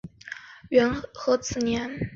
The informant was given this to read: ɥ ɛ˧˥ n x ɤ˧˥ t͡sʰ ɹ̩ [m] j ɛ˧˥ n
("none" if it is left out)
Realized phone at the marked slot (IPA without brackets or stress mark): n